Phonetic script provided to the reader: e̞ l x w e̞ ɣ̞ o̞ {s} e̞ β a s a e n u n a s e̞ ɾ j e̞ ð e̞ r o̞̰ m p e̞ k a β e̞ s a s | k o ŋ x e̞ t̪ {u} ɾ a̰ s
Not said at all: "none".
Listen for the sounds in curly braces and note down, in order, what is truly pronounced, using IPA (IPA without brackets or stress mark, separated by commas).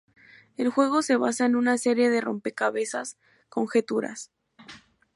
s, u